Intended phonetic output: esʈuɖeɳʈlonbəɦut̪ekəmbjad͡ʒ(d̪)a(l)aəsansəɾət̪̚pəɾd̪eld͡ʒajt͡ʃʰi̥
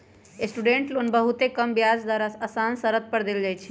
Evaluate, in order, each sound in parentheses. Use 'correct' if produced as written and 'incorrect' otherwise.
correct, incorrect

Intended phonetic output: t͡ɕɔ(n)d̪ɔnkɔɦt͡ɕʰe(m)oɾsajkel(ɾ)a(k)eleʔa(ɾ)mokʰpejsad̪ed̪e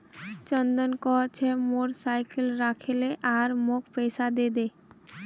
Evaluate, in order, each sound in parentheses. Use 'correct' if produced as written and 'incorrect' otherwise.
correct, correct, correct, incorrect, correct

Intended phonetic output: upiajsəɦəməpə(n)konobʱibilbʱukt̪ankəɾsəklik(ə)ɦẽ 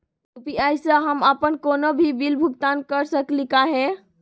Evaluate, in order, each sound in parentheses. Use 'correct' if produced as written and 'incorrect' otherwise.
correct, incorrect

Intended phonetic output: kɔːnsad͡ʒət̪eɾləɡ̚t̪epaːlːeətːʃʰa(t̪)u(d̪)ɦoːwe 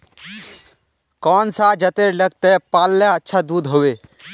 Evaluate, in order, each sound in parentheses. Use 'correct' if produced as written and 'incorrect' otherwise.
incorrect, correct

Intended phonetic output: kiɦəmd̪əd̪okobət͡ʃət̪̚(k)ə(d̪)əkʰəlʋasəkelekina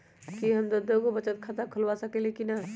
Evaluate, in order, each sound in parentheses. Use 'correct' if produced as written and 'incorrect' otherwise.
incorrect, incorrect

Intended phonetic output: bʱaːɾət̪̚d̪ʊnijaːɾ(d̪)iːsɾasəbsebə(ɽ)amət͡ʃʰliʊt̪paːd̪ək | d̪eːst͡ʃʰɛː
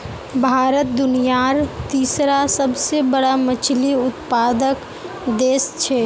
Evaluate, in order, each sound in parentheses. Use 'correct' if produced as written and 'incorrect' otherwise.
incorrect, correct

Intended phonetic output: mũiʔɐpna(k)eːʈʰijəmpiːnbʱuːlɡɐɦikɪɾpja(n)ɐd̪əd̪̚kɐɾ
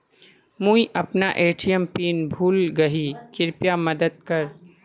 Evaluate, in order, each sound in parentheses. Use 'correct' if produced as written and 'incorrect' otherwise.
incorrect, incorrect

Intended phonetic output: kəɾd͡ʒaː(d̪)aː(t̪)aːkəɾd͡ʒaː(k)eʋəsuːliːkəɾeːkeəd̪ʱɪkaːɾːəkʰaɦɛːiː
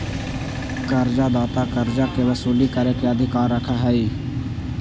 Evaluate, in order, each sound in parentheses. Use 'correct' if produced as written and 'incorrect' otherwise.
correct, correct, correct

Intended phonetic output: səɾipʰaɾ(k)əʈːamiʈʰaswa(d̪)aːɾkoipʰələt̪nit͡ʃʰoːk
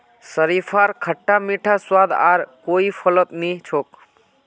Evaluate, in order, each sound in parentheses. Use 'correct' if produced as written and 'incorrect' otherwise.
incorrect, correct

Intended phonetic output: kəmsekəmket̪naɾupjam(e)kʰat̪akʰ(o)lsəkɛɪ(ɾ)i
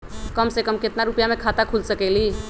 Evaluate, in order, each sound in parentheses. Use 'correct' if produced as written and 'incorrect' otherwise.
correct, incorrect, incorrect

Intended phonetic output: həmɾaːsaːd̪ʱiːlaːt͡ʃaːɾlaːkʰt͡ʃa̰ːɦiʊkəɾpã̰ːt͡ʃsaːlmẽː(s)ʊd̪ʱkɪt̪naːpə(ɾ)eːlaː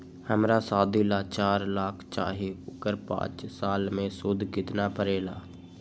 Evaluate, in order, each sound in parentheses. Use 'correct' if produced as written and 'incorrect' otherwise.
correct, correct

